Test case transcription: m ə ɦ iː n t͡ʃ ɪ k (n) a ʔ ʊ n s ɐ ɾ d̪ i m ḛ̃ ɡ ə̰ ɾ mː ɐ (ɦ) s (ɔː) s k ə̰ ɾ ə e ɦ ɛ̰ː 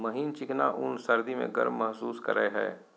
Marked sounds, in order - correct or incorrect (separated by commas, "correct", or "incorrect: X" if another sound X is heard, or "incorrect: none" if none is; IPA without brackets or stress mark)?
correct, correct, incorrect: uː